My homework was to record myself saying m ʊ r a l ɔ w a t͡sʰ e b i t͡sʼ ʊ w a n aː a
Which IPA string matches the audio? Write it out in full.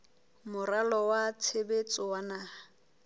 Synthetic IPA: m ʊ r a l ɔ w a t͡sʰ e b e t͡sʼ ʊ w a n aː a